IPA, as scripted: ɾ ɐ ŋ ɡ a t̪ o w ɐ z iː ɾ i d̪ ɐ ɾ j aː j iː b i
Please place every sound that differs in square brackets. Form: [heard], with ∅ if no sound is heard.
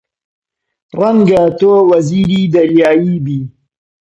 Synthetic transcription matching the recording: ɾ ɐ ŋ ɡ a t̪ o w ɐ z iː ɾ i d̪ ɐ ɾ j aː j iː b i

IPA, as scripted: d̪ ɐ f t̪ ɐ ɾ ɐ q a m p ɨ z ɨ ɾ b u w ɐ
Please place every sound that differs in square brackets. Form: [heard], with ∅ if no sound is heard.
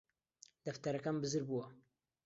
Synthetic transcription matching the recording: d̪ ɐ f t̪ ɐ ɾ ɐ [k] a m [b] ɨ z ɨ ɾ b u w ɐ

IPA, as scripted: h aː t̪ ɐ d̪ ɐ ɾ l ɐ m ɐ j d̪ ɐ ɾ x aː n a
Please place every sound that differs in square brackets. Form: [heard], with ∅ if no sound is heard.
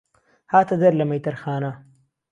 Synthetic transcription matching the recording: h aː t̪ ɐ d̪ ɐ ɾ l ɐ m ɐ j [t̪] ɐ ɾ x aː n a

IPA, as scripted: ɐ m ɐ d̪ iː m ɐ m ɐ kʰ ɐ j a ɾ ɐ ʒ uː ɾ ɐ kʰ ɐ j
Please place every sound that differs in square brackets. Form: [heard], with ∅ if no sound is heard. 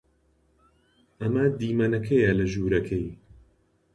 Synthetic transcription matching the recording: ɐ m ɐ d̪ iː m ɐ [n] ɐ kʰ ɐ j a [l] ɐ ʒ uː ɾ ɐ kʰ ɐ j

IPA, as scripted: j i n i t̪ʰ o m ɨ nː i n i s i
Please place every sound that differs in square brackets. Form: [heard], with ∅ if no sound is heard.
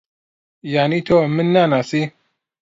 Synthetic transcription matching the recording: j [a] n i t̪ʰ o m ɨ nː [a] n [a] s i

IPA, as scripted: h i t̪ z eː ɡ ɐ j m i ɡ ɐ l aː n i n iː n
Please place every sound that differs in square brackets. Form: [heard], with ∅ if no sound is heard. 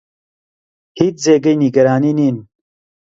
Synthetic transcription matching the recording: h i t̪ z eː ɡ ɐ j [n] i ɡ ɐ [ɾ] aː n i n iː n

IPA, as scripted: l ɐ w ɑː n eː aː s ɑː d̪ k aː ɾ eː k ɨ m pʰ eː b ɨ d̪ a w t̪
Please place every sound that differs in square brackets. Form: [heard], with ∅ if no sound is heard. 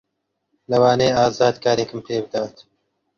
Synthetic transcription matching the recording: l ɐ w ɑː n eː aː [z] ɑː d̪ k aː ɾ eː k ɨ m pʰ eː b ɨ d̪ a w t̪

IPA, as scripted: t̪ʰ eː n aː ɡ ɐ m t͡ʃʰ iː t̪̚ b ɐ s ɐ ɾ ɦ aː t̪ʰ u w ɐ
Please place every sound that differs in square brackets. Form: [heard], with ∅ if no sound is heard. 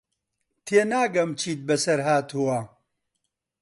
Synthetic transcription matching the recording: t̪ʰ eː n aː ɡ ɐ m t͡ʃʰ iː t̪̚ b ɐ s ɐ ɾ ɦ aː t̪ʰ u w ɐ

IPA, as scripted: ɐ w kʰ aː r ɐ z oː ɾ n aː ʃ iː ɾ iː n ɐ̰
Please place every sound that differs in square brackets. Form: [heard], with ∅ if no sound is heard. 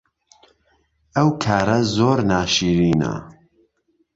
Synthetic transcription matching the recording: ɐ w kʰ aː [ɾ] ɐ z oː ɾ n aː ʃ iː ɾ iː n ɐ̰

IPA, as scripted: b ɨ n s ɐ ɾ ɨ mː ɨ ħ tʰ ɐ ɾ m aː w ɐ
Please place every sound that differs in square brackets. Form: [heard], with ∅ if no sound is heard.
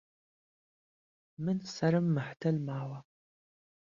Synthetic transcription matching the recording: [m] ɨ n s ɐ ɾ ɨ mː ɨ ħ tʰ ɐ [l] m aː w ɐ

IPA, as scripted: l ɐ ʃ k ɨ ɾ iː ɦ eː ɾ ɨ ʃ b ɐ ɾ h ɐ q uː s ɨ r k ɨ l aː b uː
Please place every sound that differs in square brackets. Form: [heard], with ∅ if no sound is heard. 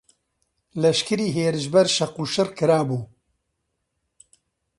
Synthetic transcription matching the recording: l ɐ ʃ k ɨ ɾ iː ɦ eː ɾ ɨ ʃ b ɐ ɾ [ʃ] ɐ q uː [ʃ] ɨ r k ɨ [ɾ] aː b uː

